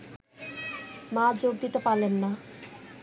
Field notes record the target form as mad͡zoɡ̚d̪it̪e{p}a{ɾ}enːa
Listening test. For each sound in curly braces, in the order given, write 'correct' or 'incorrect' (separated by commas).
correct, incorrect